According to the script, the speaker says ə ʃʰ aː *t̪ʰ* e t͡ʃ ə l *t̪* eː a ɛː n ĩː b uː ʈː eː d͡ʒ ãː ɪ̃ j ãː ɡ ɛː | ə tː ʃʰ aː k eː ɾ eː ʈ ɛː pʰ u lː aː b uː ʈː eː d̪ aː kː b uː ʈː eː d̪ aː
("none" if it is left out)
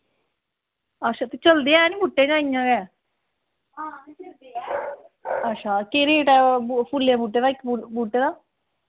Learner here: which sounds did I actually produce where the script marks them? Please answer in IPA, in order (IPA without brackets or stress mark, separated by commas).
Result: t̪, d̪